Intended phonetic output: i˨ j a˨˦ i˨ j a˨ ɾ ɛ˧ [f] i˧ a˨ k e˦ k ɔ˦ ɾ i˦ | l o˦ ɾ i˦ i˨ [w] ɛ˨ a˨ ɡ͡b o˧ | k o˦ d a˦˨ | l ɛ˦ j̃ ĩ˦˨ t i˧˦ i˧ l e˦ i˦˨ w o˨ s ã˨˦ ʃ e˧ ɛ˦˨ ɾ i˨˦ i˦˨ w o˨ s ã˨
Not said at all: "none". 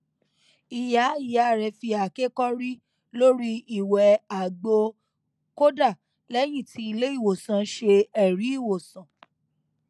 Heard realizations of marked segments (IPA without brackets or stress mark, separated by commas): f, w